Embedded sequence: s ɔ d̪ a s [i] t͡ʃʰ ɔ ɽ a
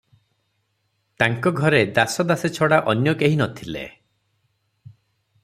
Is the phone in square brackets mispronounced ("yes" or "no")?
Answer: yes